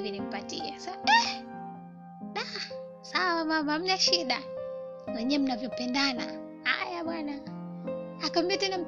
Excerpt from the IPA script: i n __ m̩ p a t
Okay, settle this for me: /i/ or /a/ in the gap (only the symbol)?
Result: i